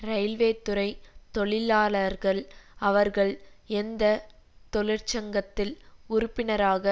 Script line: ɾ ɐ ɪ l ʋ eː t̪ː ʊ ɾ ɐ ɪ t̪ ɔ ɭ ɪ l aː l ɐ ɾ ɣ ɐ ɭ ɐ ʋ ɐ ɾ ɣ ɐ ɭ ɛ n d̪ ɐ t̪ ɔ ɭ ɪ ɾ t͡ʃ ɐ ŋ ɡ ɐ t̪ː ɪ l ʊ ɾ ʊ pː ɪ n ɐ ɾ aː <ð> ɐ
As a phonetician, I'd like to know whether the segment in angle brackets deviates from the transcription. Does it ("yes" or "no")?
yes